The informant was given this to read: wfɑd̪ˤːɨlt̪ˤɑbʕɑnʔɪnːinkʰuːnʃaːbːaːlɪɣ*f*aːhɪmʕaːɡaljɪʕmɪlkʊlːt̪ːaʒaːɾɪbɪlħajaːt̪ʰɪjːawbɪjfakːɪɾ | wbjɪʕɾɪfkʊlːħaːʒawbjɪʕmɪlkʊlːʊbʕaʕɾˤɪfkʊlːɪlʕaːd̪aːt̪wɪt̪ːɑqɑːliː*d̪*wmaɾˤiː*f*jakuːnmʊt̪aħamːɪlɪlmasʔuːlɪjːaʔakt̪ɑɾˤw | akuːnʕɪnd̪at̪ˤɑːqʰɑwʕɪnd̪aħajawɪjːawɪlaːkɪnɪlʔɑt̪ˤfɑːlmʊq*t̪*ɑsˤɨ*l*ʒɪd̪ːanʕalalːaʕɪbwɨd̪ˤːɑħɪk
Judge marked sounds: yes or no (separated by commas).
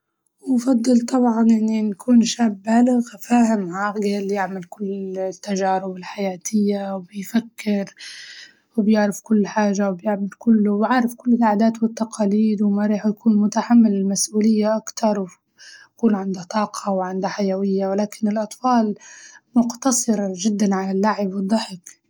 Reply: yes, yes, no, yes, no